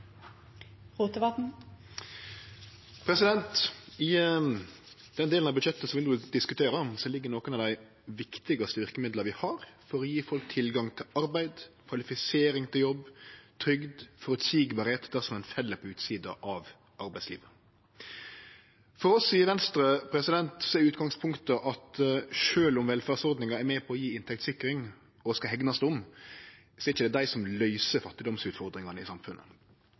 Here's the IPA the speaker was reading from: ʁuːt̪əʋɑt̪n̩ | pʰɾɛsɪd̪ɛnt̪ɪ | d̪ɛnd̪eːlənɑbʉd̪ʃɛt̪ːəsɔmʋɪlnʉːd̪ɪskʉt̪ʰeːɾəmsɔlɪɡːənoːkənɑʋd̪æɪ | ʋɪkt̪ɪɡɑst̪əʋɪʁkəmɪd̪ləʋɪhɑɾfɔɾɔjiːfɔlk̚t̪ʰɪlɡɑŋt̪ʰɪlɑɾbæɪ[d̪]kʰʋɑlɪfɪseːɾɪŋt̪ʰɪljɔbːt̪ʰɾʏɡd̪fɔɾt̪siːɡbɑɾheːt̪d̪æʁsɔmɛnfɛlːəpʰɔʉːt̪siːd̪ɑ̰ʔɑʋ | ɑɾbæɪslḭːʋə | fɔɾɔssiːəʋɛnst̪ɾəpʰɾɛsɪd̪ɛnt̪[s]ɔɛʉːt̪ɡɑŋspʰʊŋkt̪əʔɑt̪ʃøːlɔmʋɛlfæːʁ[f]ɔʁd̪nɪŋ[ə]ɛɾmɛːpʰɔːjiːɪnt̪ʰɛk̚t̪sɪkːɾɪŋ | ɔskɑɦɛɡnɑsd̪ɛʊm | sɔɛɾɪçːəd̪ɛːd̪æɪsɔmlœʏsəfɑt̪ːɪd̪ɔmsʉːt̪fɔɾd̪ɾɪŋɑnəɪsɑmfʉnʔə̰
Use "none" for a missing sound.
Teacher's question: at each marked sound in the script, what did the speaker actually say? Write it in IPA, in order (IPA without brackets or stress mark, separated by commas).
d̪, s, s, ɑ